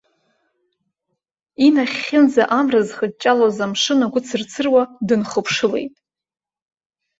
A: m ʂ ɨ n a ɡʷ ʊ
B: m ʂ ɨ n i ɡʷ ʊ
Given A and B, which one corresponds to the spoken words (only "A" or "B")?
A